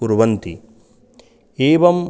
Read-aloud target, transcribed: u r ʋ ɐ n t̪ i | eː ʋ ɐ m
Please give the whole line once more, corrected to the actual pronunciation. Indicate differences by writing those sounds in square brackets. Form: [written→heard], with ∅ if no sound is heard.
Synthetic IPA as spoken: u [r→ɾ] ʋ ɐ n t̪ i | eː ʋ ɐ m